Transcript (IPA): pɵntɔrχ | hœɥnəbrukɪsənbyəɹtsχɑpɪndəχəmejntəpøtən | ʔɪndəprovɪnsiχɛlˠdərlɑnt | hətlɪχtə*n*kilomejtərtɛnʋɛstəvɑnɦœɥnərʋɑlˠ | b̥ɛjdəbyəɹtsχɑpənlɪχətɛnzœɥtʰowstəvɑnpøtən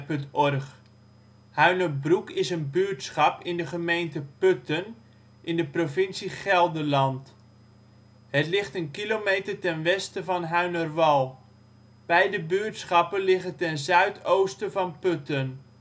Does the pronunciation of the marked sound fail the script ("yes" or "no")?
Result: no